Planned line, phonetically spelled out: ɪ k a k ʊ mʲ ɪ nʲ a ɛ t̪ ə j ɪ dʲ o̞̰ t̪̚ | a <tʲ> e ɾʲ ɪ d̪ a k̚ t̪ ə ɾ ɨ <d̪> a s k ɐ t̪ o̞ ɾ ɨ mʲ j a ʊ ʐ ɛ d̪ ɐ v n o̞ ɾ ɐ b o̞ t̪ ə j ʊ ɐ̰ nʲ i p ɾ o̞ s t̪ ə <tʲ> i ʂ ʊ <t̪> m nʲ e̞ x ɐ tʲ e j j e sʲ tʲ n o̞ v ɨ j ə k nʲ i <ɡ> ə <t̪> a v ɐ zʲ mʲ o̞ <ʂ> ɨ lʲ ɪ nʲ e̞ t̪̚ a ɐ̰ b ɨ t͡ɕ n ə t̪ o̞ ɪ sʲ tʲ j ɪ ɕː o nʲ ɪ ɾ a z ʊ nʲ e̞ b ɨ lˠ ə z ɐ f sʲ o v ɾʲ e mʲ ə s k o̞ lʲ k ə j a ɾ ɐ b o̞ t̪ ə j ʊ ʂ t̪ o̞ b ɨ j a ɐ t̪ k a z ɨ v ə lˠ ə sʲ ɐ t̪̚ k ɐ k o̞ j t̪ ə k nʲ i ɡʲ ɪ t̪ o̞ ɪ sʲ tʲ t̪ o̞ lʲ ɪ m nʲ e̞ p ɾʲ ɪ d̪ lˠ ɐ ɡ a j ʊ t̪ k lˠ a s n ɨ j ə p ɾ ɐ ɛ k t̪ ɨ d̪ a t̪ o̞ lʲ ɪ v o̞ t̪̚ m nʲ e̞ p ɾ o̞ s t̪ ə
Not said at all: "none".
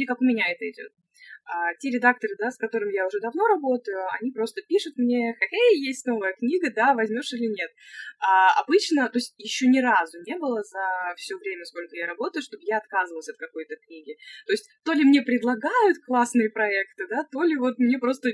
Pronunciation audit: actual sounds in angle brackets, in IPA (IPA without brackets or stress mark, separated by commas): tʲ, d̪, pʲ, t̪, ɡ, d̪, ʂ